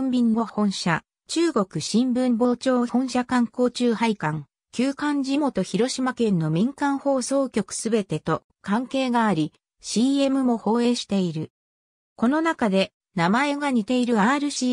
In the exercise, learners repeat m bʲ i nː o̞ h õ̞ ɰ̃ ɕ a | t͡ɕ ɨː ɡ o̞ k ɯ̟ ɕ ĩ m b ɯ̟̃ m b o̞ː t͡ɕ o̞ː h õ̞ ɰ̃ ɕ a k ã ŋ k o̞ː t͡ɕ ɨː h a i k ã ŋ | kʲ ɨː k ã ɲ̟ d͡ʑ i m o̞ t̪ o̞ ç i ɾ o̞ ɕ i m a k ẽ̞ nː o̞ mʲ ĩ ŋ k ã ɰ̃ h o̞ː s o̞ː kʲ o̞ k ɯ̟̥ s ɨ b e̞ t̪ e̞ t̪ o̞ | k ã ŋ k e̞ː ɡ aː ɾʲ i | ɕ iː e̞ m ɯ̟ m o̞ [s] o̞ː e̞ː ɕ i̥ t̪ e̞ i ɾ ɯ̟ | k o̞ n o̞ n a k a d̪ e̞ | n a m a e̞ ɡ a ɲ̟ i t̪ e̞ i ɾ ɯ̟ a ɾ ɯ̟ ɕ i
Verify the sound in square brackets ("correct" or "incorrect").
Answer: incorrect